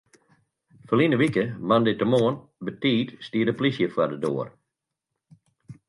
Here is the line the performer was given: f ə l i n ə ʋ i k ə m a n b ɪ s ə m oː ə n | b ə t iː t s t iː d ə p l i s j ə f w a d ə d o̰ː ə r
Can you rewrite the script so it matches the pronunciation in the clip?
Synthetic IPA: f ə l i n ə ʋ i k ə m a n d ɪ t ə m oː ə n | b ə t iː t s t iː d ə p l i s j ə f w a d ə d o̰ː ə r